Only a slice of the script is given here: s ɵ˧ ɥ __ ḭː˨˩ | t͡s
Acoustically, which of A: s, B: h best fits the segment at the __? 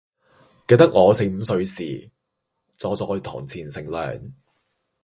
A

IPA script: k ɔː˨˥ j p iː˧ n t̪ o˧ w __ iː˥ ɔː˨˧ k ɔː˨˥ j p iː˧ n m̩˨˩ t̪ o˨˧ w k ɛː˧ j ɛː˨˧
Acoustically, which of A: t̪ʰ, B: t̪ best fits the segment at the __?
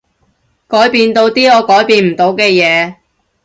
B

